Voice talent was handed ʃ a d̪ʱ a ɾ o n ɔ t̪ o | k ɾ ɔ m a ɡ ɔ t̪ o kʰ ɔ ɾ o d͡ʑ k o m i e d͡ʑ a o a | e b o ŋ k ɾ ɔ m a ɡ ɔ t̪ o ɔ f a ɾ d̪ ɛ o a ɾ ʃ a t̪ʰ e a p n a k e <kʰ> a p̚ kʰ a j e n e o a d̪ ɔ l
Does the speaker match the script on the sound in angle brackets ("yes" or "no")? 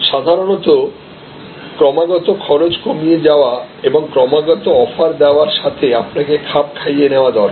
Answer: yes